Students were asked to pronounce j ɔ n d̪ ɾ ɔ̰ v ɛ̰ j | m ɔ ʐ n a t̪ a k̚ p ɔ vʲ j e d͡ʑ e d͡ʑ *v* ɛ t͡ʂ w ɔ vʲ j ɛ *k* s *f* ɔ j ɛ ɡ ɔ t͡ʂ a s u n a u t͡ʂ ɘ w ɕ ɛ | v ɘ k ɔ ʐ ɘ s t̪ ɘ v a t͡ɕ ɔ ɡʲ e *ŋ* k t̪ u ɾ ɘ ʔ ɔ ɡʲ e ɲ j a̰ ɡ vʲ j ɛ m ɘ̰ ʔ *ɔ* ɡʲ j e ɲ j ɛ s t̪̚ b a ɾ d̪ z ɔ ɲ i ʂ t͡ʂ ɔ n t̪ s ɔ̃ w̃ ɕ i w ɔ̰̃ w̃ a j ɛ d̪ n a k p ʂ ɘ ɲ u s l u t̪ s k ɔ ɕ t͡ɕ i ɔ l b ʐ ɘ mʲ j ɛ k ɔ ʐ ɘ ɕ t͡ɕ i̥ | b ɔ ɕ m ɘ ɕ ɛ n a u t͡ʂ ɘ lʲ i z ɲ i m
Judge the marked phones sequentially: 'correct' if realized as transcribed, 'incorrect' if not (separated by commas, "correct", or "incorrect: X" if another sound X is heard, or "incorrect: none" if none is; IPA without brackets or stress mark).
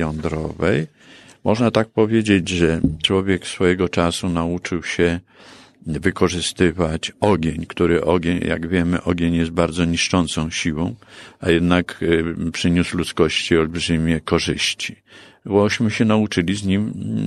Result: incorrect: ʐ, correct, correct, incorrect: ɲ, correct